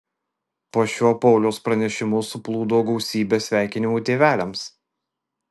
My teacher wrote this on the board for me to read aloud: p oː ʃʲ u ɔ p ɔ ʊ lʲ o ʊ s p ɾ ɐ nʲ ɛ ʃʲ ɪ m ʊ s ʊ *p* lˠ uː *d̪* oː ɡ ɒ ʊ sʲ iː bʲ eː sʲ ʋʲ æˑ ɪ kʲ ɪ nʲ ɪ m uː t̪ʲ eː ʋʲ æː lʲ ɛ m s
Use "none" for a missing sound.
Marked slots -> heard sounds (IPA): p, d̪

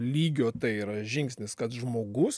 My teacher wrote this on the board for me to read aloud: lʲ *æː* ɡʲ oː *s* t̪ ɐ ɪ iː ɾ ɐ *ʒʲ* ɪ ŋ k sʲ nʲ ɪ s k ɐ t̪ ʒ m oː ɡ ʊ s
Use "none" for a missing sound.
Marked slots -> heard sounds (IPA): iː, none, ʒʲ

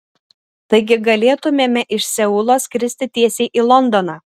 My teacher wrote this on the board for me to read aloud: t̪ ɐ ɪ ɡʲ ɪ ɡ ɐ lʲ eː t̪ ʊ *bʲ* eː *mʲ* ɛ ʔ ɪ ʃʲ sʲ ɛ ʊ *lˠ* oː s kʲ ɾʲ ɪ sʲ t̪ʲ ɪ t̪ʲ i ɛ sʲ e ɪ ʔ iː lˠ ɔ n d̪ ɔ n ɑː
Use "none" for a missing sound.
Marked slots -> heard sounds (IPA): mʲ, mʲ, lˠ

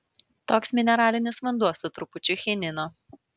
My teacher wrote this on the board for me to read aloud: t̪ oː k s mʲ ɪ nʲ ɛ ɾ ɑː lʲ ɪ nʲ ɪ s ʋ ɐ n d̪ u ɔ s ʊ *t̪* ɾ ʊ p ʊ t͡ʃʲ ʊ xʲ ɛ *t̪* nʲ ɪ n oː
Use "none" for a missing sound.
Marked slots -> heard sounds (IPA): t̪, none

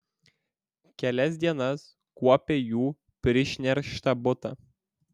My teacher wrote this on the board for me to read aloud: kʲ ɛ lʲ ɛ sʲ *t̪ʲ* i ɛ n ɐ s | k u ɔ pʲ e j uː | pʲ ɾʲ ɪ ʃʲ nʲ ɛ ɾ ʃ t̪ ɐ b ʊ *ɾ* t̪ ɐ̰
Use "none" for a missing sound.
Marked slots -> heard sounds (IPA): d̪ʲ, none

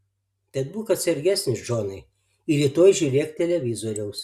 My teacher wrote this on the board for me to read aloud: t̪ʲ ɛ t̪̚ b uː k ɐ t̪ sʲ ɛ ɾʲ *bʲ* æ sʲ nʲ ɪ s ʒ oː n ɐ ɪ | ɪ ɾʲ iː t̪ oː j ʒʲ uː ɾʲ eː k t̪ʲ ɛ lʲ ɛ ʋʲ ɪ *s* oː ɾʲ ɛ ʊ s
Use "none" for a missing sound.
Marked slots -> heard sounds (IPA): ɡʲ, z

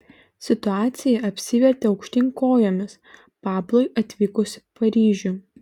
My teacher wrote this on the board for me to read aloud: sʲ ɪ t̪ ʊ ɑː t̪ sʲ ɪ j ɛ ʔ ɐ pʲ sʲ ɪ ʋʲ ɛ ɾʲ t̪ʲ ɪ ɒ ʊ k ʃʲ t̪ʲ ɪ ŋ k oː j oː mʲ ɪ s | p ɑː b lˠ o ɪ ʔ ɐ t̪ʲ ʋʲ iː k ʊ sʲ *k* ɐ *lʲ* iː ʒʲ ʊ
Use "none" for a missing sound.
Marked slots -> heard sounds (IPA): p, ɾʲ

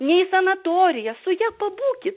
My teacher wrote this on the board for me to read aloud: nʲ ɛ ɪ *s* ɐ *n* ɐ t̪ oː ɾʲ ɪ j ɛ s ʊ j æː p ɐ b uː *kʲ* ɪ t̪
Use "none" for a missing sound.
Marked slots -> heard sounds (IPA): s, n, kʲ

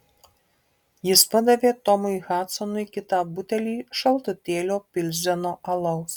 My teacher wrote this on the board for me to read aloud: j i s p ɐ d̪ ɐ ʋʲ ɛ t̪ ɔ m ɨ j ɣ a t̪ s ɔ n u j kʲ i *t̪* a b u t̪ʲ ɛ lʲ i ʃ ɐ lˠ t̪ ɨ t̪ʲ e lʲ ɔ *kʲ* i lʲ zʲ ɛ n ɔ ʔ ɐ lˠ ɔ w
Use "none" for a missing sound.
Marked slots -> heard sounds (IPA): t̪, pʲ

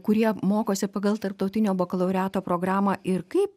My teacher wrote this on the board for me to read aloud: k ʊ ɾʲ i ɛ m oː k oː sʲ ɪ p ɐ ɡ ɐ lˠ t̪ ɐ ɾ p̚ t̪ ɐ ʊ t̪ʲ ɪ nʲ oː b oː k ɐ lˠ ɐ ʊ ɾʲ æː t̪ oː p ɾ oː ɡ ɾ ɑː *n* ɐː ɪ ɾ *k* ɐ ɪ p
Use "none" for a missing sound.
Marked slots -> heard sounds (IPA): m, k

